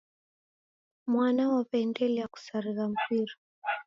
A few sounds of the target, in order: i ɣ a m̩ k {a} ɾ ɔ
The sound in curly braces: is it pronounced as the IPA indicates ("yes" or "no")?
no